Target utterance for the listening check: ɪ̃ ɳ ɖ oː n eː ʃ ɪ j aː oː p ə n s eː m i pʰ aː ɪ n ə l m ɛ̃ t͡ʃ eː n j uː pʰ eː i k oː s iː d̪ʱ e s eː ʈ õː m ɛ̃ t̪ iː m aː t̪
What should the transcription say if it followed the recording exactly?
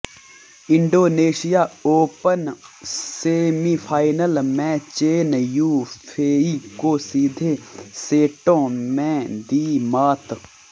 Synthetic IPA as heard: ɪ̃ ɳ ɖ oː n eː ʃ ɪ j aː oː p ə n s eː m i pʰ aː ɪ n ə l m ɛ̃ t͡ʃ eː n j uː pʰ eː i k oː s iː d̪ʱ e s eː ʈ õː m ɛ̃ d̪ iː m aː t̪